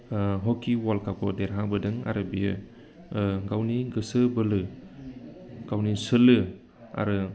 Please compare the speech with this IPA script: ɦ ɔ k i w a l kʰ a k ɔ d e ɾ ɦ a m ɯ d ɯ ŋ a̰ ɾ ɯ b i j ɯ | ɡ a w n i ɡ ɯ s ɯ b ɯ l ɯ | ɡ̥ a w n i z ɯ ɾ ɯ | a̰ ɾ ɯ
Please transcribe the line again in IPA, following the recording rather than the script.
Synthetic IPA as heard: ɦ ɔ k i w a l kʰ a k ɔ d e ɾ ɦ a b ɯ d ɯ ŋ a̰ ɾ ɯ b i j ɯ | ɡ a w n i ɡ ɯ s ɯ b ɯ l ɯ | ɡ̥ a w n i s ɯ l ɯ | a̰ ɾ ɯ